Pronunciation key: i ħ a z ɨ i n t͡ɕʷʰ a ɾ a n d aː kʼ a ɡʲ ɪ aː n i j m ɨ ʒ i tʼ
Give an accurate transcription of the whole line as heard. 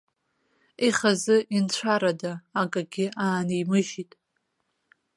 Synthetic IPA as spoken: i χ a z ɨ i n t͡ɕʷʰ a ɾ a d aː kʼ a ɡʲ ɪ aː n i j m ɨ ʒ i tʼ